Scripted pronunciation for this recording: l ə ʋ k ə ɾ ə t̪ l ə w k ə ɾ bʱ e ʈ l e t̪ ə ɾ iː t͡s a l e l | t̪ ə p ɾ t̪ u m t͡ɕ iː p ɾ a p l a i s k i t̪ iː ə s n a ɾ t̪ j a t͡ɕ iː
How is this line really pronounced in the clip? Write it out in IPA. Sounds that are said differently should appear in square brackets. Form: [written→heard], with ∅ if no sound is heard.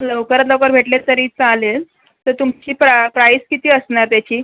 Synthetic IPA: l ə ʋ k ə ɾ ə t̪ l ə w k ə ɾ bʱ e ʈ l e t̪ ə ɾ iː t͡s a l e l | t̪ ə [p→∅] ɾ t̪ u m t͡ɕ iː p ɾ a p [l→ɾ] a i s k i t̪ iː ə s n a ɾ t̪ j a t͡ɕ iː